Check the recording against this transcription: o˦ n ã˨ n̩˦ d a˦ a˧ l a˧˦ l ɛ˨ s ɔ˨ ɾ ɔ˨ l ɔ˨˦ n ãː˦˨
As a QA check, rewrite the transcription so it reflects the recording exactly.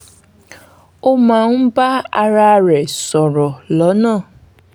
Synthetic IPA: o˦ m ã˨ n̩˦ b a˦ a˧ ɾ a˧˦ ɾ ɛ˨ s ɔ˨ ɾ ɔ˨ l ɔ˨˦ n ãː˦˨